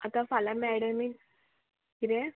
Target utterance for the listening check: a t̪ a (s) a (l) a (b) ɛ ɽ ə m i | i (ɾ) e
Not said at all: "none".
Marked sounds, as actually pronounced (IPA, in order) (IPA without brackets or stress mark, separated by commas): f, l, m, ɾ